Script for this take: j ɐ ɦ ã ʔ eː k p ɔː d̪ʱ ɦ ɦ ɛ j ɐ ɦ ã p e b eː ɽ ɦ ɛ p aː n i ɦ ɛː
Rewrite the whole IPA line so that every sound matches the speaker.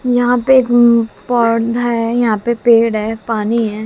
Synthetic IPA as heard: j ɐ ɦ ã p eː k p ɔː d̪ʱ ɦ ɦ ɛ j ɐ ɦ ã p e p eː ɽ ɦ ɛ p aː n i ɦ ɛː